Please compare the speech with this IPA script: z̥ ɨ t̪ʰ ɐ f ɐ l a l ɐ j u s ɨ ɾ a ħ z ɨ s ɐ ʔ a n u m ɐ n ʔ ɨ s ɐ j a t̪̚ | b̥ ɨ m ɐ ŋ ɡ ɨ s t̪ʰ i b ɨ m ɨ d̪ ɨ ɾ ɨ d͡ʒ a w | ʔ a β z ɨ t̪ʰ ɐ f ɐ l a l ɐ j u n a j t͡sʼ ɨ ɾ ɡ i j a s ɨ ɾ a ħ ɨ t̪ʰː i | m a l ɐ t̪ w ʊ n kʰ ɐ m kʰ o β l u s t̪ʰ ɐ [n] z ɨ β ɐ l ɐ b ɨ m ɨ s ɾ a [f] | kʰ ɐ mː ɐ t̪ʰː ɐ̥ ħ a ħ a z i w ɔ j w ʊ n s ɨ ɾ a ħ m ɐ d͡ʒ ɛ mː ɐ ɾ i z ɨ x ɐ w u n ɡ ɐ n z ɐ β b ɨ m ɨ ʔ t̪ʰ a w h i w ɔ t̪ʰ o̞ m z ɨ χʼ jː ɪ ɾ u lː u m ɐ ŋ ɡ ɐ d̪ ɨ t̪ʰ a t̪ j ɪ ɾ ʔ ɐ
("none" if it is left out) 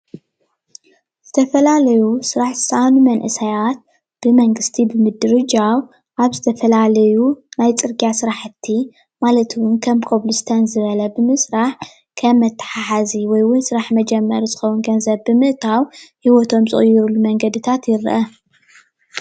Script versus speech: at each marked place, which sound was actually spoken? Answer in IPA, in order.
n, ħ

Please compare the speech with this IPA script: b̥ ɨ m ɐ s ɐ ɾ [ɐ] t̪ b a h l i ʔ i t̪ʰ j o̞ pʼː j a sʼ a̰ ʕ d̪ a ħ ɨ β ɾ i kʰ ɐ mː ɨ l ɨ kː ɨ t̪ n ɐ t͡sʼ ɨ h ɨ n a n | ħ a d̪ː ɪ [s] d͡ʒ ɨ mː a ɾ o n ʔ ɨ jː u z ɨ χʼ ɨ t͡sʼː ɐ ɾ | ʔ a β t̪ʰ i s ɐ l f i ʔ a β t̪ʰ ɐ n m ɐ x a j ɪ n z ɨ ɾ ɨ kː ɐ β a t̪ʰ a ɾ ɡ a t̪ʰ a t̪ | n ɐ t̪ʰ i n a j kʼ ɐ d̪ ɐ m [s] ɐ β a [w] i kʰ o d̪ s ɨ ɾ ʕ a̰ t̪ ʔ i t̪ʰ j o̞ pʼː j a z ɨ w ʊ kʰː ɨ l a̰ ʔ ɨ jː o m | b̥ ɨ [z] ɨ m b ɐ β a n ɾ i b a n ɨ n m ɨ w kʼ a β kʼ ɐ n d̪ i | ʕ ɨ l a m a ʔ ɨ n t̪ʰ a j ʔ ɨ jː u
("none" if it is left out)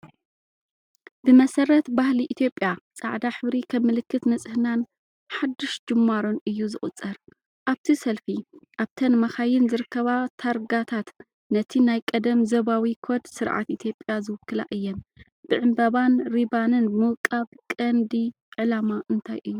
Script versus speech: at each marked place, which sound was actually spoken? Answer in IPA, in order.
ɐ, ʃ, z, w, ʕ

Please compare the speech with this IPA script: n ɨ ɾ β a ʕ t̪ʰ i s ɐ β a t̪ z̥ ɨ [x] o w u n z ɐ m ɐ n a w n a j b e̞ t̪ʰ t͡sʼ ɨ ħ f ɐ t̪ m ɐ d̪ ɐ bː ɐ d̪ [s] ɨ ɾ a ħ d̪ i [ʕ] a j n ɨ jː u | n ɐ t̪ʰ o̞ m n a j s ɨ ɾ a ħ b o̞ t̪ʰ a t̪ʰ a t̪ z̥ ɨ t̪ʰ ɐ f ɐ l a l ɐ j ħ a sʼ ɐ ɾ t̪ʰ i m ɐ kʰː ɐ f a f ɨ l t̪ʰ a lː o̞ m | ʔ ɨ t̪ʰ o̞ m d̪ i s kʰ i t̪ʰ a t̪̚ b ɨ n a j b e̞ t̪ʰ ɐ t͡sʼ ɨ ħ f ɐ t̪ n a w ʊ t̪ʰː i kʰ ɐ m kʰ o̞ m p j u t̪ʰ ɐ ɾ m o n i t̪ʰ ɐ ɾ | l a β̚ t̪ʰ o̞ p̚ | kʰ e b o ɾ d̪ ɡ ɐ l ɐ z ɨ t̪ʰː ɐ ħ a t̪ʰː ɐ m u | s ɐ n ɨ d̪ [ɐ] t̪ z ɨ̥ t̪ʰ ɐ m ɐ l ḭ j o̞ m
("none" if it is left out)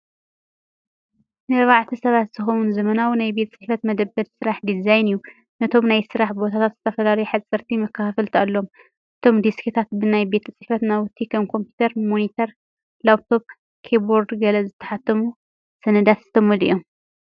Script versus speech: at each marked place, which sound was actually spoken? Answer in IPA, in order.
x, s, z, a

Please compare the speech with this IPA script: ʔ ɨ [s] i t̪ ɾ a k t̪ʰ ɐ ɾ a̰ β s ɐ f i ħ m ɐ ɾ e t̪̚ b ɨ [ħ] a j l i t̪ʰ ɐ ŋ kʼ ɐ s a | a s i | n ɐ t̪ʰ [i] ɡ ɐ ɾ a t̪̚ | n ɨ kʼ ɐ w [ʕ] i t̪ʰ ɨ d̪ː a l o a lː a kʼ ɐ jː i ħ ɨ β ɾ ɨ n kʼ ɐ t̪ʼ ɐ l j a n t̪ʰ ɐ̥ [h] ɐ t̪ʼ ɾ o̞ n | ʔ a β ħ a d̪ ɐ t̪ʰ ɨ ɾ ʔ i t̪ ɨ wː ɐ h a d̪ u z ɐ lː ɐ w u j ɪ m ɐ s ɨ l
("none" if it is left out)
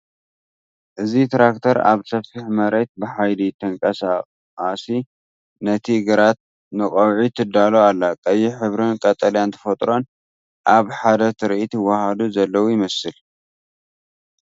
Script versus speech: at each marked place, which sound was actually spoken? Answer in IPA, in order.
z, ħ, i, ʕ, f

